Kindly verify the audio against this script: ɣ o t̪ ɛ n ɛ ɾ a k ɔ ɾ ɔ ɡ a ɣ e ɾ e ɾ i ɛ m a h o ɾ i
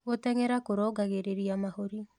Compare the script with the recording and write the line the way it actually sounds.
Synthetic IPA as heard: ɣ o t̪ ɛ ŋ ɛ ɾ a k o ɾ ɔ ɡ a ɣ e ɾ e ɾ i a m a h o ɾ i